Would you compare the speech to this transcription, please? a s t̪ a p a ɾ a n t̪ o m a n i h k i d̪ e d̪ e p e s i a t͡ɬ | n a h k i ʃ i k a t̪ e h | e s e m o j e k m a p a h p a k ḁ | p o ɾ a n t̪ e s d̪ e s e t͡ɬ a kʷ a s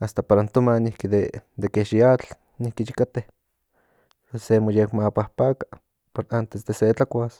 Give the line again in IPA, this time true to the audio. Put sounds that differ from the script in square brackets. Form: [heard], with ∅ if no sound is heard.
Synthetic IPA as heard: a s t̪ a p a ɾ a n t̪ o m a n i h k i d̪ e d̪ e [k] e [ʃ] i a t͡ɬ | n [i] h k i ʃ i k a t̪ e h | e s e m o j e k m a p a h p a k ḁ | p o ɾ a n t̪ e s d̪ e s e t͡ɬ a kʷ a s